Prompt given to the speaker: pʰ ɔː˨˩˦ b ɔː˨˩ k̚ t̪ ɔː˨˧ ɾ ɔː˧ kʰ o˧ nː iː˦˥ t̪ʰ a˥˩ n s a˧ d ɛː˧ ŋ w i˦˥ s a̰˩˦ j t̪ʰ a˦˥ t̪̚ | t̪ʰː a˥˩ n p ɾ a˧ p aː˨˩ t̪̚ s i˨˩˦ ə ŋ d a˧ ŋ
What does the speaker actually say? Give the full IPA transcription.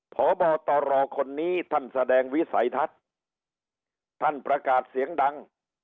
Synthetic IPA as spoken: pʰ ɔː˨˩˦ b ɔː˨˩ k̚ t̪ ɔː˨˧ ɾ ɔː˧ kʰ o˧ nː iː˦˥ t̪ʰ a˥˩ n s a˧ d ɛː˧ ŋ w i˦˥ s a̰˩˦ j t̪ʰ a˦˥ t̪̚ | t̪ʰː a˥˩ n p ɾ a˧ k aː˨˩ t̪̚ s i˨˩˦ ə ŋ d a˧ ŋ

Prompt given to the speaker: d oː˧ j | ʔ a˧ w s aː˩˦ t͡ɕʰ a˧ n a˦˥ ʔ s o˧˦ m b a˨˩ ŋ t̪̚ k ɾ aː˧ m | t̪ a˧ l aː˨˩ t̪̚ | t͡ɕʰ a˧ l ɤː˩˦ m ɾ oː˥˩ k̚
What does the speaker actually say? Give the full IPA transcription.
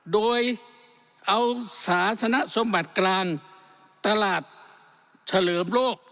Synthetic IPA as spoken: d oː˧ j | ʔ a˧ w s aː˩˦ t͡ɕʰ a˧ n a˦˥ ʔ s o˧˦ m b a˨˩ t̪̚ k l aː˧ ŋ | t̪ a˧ l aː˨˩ t̪̚ | t͡ɕʰ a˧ l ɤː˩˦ m l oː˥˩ k̚

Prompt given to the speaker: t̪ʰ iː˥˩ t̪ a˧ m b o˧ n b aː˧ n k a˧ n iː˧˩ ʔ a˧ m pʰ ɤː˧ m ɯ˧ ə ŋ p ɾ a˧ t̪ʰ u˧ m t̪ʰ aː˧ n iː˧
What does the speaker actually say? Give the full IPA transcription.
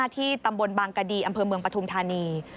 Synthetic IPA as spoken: t̪ʰ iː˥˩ t̪ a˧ m b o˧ n b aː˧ ŋ k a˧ d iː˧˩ ʔ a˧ m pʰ ɤː˧ m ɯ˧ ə ŋ p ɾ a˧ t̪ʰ u˧ m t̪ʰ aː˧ n iː˧

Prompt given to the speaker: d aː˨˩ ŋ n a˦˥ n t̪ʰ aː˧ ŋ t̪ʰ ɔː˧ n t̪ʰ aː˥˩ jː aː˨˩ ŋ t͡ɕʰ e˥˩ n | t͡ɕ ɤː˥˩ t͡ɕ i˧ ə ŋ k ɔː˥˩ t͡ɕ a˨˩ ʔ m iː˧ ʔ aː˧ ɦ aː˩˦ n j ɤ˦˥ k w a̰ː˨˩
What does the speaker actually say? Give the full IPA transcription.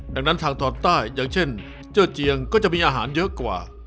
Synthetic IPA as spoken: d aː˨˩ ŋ n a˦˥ n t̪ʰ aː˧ ŋ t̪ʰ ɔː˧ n t̪ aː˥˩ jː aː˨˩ ŋ t͡ɕʰ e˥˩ n | t͡ɕ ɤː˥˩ t͡ɕ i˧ ə ŋ k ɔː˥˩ t͡ɕ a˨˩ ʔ m iː˧ ʔ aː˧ ɦ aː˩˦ n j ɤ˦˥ k w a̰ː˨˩

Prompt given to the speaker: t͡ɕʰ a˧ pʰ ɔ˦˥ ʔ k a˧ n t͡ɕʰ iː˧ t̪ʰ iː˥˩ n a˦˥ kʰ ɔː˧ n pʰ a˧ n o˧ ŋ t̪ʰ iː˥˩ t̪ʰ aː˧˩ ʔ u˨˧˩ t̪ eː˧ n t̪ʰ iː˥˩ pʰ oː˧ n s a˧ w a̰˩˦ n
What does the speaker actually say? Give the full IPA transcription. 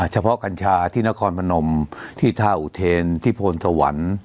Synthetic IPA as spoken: t͡ɕʰ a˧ pʰ ɔ˦˥ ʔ k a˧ n t͡ɕʰ aː˧ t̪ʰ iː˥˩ n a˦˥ kʰ ɔː˧ n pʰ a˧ n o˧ m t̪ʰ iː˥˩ t̪ʰ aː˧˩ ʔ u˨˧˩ t̪ʰ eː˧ n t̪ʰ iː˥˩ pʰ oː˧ n s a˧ w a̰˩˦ n

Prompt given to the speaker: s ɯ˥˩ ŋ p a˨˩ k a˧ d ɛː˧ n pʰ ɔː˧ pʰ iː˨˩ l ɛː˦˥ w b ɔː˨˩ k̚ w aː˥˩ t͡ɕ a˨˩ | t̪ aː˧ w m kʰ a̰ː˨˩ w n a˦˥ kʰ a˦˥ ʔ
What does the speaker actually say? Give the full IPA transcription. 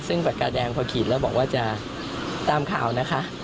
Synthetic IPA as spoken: s ɯ˥˩ ŋ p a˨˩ k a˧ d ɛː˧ ŋ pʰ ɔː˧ kʰ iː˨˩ l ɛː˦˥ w b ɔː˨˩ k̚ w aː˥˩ t͡ɕ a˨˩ | t̪ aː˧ m kʰ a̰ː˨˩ w n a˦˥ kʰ a˦˥ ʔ

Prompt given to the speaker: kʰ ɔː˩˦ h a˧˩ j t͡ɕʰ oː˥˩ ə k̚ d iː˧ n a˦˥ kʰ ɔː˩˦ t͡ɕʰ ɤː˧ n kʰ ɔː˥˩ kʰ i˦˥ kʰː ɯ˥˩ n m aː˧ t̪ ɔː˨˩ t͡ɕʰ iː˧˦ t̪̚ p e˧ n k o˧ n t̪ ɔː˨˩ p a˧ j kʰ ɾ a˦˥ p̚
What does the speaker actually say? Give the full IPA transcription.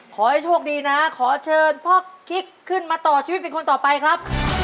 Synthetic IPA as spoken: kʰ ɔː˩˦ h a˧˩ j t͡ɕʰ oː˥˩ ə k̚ d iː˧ n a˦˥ kʰ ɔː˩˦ t͡ɕʰ ɤː˧ n pʰ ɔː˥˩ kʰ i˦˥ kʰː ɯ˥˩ n m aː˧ t̪ ɔː˨˩ t͡ɕʰ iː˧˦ t̪̚ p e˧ n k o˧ n t̪ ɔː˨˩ p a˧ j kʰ ɾ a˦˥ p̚

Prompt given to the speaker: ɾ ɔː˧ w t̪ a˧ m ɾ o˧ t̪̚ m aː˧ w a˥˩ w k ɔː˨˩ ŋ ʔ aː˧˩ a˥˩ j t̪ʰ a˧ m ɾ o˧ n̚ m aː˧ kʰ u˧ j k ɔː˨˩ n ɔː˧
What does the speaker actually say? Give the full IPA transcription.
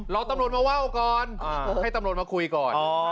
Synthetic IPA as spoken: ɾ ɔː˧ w t̪ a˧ m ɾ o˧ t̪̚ m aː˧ w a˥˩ w k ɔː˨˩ n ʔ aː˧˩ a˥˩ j t̪ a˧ m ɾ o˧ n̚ m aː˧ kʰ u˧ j k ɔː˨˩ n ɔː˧

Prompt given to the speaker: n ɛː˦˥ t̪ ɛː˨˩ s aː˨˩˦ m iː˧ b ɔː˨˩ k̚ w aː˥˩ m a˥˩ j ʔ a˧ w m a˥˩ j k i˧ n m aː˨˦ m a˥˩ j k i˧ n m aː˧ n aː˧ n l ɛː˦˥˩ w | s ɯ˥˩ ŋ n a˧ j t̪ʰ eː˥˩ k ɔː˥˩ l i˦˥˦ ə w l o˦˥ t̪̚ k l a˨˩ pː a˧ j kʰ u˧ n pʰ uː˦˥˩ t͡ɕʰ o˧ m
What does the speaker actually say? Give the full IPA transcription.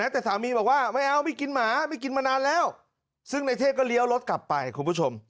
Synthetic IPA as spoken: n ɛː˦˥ t̪ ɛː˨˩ s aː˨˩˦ m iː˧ b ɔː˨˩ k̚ w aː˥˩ m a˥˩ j ʔ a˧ w m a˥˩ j k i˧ n m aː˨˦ m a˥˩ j k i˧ n m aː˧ n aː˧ n l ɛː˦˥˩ w | s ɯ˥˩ ŋ n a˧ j t̪ʰ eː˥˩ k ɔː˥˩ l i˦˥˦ ə w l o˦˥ t̪̚ k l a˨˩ pː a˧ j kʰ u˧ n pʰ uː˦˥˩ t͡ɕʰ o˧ m

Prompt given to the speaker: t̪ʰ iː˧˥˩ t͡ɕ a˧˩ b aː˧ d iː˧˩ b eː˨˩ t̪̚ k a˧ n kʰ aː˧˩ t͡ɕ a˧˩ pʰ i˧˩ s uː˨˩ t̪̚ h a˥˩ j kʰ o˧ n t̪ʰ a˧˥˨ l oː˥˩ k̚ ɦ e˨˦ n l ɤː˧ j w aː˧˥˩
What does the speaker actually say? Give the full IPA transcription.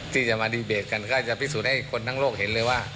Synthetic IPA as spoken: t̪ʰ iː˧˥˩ t͡ɕ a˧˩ m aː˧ d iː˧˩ b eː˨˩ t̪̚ k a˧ n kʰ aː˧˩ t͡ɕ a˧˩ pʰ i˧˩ s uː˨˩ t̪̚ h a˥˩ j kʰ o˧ n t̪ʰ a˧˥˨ l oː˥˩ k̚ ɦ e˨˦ n l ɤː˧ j w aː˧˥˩

